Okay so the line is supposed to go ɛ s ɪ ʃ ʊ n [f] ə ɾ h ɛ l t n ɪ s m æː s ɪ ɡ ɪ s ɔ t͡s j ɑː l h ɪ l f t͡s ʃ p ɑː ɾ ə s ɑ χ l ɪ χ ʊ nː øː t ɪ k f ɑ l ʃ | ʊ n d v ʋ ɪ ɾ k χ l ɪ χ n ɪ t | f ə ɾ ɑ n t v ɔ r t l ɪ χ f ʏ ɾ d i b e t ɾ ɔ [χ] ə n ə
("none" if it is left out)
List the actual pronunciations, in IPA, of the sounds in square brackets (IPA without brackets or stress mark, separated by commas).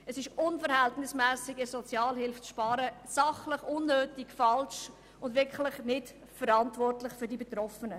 f, f